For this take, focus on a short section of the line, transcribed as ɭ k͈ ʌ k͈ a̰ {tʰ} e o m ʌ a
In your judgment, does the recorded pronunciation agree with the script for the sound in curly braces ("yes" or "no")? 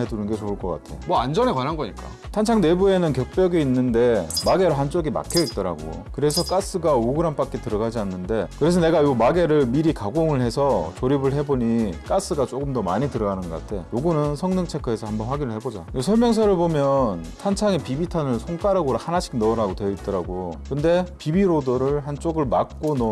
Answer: yes